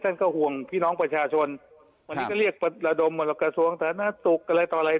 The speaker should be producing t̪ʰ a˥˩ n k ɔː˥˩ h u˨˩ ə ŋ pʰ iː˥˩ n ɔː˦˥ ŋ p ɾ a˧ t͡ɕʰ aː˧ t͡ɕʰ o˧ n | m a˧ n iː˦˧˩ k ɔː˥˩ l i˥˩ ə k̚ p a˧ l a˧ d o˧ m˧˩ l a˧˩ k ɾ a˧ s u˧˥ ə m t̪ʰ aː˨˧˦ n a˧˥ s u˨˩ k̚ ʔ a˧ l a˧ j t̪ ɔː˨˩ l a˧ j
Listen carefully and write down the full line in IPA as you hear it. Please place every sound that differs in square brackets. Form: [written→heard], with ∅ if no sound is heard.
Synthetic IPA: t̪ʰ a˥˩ n k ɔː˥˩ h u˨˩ ə ŋ pʰ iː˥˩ n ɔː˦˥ ŋ p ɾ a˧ t͡ɕʰ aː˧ t͡ɕʰ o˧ n | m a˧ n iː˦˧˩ k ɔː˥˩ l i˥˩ ə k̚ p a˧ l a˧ d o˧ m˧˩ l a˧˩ k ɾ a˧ s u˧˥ ə [m→ŋ] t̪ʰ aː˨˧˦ n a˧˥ s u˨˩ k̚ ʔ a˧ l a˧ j t̪ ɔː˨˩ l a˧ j

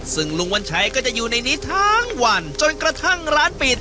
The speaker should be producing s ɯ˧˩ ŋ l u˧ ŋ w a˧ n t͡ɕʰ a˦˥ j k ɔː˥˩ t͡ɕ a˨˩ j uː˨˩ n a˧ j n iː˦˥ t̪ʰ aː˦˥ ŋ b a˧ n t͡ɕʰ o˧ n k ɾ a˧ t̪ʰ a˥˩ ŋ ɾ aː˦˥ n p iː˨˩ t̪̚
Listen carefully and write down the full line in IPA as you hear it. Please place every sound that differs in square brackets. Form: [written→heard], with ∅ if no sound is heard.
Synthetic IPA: s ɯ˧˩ ŋ l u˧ ŋ w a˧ n t͡ɕʰ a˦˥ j k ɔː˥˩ t͡ɕ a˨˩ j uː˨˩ n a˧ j n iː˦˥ t̪ʰ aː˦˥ ŋ [b→w] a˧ n [t͡ɕʰ→t͡ɕ] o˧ n k ɾ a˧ t̪ʰ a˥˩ ŋ ɾ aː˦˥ n p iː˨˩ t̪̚

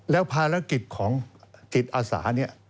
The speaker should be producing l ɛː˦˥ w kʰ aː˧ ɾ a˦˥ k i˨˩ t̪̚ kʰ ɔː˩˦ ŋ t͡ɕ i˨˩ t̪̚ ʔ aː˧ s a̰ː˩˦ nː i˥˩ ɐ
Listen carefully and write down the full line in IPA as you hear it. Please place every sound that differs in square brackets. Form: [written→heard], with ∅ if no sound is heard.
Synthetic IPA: l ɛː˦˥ w [kʰ→pʰ] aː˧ ɾ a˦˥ k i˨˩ t̪̚ kʰ ɔː˩˦ ŋ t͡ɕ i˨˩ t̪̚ ʔ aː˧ s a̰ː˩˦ [nː→n] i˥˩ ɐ

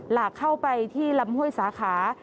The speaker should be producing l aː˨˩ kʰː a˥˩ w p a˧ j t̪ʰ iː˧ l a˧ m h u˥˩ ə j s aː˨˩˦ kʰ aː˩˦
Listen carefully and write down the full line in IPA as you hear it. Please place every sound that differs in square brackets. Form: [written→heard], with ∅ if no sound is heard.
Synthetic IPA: l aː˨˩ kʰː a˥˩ w p a˧ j t̪ʰ [iː˧→iː˥˩] l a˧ m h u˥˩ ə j s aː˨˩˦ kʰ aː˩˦

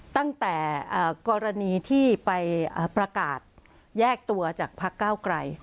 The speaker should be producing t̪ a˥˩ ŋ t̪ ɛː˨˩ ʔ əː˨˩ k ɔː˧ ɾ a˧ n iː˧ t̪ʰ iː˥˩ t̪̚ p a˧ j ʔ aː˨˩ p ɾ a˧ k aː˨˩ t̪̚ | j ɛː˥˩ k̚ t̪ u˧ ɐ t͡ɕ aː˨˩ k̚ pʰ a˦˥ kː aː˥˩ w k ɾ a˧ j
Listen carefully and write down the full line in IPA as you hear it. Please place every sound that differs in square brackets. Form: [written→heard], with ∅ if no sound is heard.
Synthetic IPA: t̪ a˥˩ ŋ t̪ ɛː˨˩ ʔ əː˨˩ k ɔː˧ ɾ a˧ n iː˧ t̪ʰ iː˥˩ [t̪̚→∅] p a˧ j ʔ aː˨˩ p ɾ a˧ k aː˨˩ t̪̚ | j ɛː˥˩ k̚ t̪ u˧ ɐ t͡ɕ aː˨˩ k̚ pʰ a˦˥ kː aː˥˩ w k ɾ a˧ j

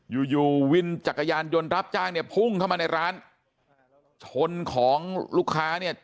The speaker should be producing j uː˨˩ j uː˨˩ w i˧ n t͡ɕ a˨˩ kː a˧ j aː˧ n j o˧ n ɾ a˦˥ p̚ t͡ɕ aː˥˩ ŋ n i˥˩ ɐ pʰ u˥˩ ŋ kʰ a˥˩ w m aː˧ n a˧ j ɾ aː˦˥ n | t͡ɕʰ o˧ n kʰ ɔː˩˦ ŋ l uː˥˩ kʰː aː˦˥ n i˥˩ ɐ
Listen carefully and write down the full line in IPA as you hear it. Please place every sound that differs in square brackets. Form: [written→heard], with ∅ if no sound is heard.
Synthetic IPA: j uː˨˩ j uː˨˩ w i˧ n t͡ɕ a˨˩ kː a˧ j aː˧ n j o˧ n ɾ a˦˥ p̚ t͡ɕ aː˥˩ ŋ n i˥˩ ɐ pʰ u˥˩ ŋ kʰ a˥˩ w m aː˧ n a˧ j ɾ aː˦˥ n | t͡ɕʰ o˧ n kʰ ɔː˩˦ ŋ l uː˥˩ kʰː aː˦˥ n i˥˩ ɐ

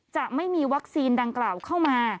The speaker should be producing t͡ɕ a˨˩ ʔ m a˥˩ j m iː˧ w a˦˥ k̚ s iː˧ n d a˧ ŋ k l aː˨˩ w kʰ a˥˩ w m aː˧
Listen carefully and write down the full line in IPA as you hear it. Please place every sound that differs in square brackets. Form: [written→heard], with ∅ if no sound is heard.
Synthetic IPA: t͡ɕ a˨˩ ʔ m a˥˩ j m iː˧ w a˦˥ k̚ s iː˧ n d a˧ ŋ k l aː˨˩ w kʰ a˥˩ w m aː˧

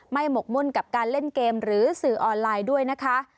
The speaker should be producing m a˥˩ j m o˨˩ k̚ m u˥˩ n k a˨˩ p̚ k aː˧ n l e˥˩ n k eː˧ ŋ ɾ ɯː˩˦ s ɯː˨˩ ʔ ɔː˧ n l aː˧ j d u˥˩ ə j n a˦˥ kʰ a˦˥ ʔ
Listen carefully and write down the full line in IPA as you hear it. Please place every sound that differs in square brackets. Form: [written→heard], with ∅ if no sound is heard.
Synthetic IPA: m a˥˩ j m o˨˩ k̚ m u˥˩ n k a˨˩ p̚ k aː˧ n l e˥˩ n k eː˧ [ŋ→m] ɾ ɯː˩˦ s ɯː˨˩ ʔ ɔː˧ n l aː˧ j d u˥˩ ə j n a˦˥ kʰ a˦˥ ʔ

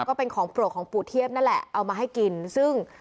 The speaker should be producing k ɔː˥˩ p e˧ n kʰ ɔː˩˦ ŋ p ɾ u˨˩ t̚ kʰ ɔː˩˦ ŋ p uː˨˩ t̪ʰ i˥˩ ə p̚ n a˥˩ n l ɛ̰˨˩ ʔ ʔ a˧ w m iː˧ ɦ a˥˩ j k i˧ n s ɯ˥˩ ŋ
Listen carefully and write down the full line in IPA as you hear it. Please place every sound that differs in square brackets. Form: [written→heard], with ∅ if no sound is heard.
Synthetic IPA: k ɔː˥˩ p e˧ n kʰ ɔː˩˦ ŋ p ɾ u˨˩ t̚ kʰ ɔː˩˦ ŋ p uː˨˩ t̪ʰ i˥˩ ə p̚ n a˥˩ n l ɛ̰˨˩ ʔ ʔ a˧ w m [iː˧→aː˧] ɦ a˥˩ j k i˧ n s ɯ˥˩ ŋ

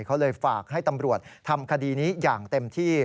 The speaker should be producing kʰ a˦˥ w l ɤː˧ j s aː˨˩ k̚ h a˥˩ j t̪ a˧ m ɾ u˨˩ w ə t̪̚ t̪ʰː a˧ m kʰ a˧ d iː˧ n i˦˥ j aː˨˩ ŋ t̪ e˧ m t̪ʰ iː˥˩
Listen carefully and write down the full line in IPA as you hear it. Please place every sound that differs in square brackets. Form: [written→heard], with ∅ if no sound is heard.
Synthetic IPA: kʰ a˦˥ w l ɤː˧ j [s→f] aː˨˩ k̚ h a˥˩ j t̪ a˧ m ɾ u˨˩ [w→∅] ə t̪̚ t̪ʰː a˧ m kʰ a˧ d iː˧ n [i˦˥→iː˦˥] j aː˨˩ ŋ t̪ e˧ m t̪ʰ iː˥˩

